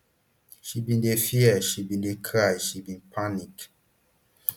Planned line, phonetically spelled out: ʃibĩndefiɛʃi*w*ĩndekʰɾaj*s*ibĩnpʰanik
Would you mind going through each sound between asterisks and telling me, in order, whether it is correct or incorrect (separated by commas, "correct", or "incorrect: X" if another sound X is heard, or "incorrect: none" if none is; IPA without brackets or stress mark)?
incorrect: b, incorrect: ʃ